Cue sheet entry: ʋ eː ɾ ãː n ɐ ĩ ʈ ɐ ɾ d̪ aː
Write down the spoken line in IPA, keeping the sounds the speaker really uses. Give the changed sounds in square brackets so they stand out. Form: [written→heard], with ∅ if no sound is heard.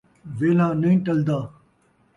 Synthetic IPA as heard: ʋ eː [ɾ→l] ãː n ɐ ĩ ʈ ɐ [ɾ→l] d̪ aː